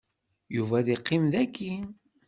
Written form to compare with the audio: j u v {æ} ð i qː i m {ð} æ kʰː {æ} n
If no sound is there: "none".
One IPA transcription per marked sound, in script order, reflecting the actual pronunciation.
æ, ð, i

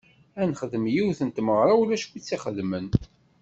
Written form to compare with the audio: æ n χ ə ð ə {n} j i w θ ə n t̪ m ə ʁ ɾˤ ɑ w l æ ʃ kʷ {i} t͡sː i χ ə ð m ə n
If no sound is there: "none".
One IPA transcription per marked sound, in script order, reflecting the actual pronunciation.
m, i

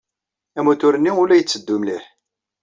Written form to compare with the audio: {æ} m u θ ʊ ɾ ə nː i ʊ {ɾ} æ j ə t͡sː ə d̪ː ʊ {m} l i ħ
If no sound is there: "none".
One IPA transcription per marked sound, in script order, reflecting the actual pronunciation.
æ, l, m

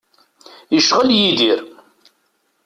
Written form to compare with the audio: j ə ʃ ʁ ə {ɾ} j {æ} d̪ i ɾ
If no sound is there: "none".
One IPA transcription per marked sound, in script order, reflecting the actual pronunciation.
l, i

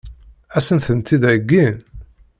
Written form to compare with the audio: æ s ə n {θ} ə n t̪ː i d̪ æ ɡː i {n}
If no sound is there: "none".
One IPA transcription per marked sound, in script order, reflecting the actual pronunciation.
θ, n

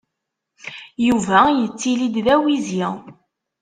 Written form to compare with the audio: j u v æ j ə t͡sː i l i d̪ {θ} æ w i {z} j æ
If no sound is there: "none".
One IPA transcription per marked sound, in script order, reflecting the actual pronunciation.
ð, z

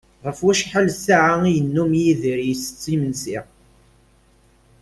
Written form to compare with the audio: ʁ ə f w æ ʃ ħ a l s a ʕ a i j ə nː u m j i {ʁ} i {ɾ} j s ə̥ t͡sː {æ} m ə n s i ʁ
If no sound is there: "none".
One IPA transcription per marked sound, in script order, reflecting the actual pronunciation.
ð, ɾ, i

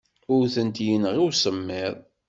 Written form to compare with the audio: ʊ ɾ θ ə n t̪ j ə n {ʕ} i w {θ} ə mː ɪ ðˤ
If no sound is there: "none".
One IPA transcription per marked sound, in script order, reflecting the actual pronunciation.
ʁ, s

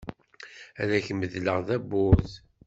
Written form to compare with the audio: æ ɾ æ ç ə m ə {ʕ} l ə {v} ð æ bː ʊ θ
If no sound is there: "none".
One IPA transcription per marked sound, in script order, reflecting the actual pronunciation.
ð, ʁ

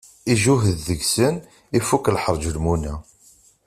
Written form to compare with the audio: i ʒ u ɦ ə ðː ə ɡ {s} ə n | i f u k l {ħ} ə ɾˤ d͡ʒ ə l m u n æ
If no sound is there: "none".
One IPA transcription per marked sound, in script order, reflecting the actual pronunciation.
s, ħ

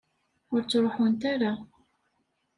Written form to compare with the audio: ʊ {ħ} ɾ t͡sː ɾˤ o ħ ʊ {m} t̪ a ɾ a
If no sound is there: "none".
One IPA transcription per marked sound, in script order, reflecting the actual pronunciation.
none, n

